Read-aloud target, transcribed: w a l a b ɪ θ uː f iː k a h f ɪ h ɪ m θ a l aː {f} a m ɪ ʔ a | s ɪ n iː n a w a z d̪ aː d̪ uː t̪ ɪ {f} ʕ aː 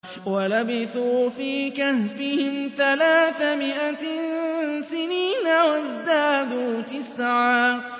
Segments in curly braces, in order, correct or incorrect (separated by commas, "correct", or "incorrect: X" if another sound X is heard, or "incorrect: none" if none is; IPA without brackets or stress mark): incorrect: θ, incorrect: s